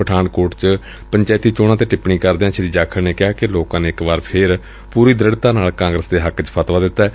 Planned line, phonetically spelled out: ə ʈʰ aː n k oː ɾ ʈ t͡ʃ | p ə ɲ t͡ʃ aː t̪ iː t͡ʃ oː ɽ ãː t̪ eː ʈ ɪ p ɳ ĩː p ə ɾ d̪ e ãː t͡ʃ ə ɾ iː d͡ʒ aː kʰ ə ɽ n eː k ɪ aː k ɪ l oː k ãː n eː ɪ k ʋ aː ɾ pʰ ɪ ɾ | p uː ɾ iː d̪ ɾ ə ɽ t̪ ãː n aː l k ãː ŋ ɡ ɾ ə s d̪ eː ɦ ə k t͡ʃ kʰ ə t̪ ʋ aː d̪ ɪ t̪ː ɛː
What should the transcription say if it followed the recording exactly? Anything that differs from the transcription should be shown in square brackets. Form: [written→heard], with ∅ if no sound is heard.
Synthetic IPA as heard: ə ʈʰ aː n k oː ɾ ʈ t͡ʃ | p ə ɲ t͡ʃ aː t̪ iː t͡ʃ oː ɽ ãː t̪ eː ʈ ɪ p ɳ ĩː [p→k] ə ɾ d̪ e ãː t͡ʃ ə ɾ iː d͡ʒ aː kʰ ə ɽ n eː k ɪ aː k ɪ l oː k ãː n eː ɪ k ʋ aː ɾ pʰ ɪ ɾ | p uː ɾ iː d̪ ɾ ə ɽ t̪ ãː n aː l k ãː ŋ ɡ ɾ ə s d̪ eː ɦ ə k t͡ʃ [kʰ→pʰ] ə t̪ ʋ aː d̪ ɪ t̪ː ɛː